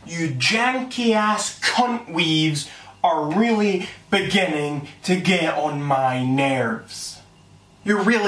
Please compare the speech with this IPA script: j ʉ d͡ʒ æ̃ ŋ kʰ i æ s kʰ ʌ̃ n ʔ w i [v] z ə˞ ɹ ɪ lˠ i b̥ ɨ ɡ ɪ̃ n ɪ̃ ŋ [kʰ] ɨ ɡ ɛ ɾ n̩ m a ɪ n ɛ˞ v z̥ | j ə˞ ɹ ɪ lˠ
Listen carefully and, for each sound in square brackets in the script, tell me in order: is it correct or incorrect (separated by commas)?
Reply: correct, incorrect